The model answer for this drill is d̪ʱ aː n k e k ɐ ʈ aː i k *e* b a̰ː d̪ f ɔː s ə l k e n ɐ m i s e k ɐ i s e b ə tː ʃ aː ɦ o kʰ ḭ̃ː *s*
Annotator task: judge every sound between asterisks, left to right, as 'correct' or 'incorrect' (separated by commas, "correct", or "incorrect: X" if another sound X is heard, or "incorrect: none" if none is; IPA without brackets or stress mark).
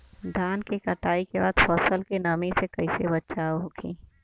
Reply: correct, incorrect: none